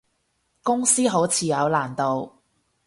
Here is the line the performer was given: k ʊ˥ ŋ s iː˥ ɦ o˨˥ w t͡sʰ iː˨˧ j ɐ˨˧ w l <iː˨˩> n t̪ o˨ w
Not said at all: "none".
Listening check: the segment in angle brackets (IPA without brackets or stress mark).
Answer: aː˨˩